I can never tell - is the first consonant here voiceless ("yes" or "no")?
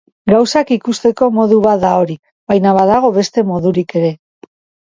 no